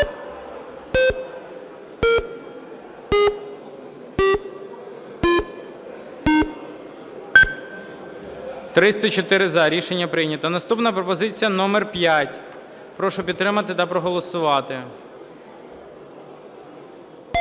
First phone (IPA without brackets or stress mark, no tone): t̪